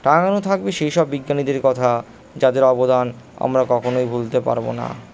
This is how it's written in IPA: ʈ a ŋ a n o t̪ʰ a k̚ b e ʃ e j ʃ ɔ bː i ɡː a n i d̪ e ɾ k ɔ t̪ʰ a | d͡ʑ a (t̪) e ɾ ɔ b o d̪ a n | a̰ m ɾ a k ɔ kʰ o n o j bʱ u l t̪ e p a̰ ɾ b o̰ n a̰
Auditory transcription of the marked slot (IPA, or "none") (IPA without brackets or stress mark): d̪